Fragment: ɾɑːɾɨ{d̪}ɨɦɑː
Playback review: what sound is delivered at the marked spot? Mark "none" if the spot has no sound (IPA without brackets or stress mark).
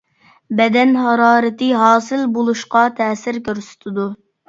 t̪